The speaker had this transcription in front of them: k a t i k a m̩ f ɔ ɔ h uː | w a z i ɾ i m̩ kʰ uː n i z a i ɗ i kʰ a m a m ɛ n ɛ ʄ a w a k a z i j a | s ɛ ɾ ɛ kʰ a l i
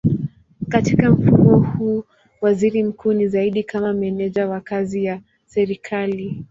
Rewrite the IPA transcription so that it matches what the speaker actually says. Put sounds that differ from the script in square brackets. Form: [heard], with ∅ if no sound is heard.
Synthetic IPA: k a t i k a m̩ f [u] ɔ h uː | w a z i ɾ i m̩ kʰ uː n i z a i ɗ i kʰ a m a m ɛ n ɛ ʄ a w a k a z i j a | s ɛ ɾ [i] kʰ a l i